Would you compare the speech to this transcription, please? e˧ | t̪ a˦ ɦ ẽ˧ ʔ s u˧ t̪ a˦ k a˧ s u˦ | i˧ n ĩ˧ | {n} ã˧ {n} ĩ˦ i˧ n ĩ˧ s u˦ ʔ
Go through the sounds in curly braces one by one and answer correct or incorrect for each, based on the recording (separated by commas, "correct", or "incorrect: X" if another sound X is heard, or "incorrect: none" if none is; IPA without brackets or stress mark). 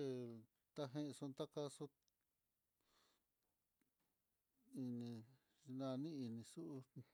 correct, correct